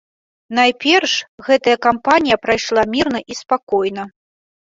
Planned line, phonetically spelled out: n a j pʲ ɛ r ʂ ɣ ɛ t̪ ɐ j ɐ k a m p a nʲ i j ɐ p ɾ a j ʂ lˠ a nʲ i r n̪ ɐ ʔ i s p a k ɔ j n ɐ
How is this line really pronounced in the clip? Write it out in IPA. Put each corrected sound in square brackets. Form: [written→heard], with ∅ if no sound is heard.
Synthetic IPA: n a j pʲ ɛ r ʂ ɣ ɛ t̪ ɐ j ɐ k a m p a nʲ i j ɐ p ɾ a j ʂ lˠ a [nʲ→mʲ] i r n̪ ɐ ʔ i s p a k ɔ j n ɐ